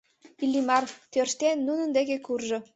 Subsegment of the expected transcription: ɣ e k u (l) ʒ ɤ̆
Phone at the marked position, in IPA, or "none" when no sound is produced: r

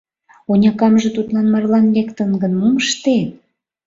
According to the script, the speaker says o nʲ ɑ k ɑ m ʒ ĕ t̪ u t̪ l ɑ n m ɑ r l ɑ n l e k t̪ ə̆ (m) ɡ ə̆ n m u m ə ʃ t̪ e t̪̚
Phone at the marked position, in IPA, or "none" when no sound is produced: n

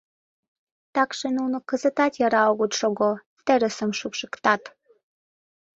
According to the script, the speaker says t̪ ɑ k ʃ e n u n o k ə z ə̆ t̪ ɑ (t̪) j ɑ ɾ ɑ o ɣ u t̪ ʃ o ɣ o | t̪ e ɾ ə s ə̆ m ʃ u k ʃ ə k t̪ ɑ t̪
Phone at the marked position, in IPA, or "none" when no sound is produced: t̪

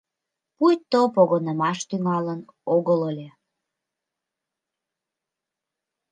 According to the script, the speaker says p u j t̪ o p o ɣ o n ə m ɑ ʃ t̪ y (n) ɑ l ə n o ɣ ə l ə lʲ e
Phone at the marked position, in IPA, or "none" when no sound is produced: ŋ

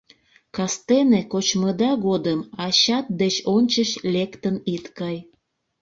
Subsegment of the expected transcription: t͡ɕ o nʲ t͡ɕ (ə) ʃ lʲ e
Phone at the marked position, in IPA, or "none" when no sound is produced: ə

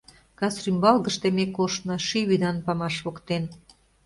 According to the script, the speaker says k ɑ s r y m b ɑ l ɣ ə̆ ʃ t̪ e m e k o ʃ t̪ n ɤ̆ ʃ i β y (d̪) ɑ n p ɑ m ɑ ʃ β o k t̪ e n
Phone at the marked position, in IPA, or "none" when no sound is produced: d̪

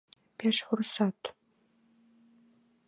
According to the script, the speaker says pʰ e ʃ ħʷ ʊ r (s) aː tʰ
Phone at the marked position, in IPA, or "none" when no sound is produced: s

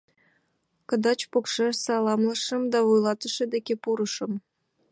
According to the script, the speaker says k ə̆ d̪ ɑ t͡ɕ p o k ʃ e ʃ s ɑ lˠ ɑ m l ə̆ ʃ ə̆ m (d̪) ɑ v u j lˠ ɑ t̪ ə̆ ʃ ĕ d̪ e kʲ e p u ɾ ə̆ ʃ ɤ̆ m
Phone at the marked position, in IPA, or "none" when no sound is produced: d̪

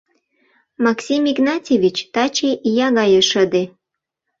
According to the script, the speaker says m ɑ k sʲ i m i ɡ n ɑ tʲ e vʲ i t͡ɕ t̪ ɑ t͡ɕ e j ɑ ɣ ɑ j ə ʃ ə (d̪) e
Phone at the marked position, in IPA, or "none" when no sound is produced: d̪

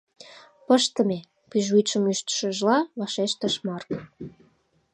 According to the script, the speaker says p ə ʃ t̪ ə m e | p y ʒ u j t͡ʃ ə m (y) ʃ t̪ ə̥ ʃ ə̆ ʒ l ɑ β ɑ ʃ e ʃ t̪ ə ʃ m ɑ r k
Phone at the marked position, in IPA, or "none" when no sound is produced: y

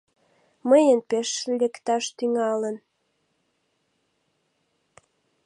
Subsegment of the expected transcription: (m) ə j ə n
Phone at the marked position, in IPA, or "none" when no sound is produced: m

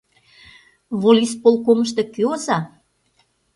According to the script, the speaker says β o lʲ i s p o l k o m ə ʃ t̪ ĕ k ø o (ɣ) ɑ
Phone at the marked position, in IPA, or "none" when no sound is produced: z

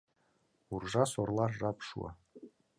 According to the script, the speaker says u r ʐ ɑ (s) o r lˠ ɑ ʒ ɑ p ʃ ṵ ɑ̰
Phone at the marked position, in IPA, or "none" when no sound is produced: s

